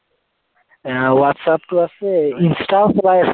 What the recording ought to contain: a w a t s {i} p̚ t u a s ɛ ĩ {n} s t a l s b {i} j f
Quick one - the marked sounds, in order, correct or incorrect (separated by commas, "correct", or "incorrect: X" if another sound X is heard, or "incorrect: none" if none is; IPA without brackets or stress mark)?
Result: incorrect: a, correct, incorrect: a